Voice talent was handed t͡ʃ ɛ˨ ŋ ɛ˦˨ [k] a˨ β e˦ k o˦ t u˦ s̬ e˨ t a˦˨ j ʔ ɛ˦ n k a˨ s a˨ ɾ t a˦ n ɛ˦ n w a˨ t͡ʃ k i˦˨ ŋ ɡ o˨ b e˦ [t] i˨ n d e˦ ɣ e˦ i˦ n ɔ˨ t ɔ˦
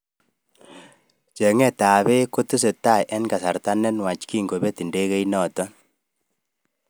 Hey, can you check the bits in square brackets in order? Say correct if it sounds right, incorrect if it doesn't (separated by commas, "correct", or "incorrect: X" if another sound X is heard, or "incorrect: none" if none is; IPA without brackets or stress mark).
incorrect: t, correct